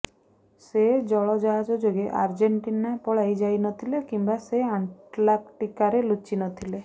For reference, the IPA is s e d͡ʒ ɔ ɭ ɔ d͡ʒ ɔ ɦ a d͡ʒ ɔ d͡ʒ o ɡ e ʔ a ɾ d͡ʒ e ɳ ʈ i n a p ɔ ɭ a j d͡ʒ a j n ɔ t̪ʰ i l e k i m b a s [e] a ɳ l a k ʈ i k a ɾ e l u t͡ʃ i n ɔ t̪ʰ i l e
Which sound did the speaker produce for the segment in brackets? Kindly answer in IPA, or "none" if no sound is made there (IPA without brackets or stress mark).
e